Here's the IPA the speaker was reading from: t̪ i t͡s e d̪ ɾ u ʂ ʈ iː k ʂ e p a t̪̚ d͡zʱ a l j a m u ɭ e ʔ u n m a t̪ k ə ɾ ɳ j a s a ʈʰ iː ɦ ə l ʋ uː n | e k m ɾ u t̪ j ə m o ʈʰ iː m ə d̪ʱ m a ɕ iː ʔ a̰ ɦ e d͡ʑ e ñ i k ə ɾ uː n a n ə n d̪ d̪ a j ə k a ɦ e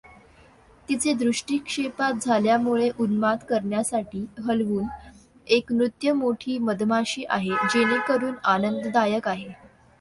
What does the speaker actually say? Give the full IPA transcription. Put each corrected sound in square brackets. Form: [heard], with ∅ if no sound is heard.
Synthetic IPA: t̪ i t͡s e d̪ ɾ u ʂ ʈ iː k ʂ e p a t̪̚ d͡zʱ a l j a m u ɭ e ʔ u n m a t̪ k ə ɾ ɳ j a s a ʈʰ iː ɦ ə l ʋ uː n | e k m ɾ u t̪ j ə m o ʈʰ iː m ə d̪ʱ m a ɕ iː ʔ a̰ ɦ e d͡ʑ e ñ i k ə ɾ uː n a n ə n d̪ d̪ a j ə k a ɦ e